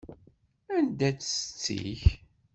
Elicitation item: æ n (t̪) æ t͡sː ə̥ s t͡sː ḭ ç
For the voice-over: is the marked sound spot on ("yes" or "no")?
no